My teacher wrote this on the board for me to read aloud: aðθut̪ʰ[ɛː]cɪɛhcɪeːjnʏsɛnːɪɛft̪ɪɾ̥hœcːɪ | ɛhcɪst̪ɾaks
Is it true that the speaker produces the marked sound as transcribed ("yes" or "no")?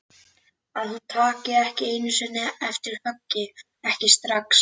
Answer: no